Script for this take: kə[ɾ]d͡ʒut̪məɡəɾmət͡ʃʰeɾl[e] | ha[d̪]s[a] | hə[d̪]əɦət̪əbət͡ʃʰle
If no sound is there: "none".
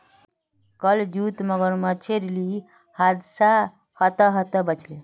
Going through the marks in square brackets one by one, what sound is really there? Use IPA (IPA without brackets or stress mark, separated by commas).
l, i, d̪, a, t̪